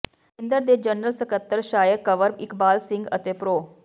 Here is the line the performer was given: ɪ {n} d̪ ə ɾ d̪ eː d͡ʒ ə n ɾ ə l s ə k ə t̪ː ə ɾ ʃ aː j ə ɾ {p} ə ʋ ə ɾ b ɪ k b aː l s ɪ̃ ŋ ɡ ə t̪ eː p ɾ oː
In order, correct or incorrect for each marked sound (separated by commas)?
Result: correct, incorrect